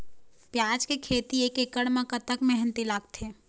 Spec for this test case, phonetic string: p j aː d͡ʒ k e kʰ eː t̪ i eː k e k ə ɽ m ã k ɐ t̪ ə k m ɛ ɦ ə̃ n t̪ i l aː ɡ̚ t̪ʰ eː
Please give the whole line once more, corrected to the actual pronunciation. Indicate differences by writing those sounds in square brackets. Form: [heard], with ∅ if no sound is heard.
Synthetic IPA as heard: p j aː d͡ʒ k e kʰ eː t̪ i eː k e k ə ɽ m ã k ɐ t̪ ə k m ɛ ɦ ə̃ n t̪ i l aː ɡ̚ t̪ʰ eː